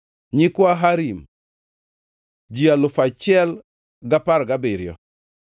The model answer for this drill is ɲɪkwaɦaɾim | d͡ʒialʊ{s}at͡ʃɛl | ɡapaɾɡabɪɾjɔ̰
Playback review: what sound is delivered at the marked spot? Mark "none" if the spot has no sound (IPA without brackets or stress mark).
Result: f